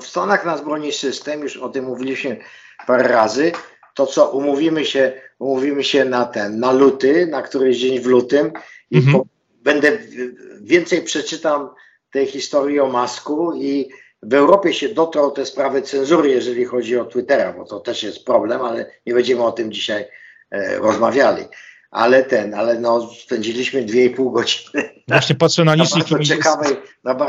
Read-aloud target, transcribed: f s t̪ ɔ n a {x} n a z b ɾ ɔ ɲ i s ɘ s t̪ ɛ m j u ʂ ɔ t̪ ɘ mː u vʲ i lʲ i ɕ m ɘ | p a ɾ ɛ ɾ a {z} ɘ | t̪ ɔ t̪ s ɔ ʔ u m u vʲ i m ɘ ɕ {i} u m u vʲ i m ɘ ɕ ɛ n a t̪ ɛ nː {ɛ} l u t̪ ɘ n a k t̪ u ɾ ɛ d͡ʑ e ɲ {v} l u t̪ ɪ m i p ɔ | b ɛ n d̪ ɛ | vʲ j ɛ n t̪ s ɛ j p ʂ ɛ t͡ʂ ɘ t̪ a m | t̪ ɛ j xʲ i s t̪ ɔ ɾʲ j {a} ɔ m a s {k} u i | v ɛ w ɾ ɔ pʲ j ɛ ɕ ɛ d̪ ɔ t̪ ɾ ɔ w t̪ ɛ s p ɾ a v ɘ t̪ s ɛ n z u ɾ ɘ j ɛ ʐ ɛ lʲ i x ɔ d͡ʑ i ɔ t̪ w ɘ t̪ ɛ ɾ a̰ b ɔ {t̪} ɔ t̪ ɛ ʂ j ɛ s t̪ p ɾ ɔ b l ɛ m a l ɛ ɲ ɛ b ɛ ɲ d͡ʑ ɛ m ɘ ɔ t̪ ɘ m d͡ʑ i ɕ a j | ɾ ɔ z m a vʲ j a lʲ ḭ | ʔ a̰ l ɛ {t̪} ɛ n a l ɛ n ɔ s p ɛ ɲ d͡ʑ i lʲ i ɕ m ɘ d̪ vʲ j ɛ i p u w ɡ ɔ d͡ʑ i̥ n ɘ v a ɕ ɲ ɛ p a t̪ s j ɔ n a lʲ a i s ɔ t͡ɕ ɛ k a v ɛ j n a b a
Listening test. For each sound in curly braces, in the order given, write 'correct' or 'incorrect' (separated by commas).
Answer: correct, correct, incorrect, incorrect, correct, incorrect, correct, correct, correct